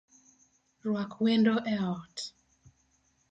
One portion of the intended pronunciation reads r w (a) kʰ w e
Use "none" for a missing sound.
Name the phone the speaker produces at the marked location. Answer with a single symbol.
a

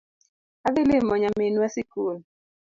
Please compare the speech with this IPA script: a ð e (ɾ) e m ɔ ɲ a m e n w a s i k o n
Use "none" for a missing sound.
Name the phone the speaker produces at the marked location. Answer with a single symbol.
l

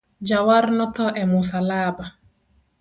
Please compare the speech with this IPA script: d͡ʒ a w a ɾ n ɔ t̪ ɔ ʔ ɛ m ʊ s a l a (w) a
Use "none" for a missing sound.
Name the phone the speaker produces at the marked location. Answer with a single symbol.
b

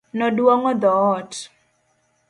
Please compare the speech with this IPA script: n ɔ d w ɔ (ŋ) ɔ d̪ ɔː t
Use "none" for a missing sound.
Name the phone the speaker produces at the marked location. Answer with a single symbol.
ŋ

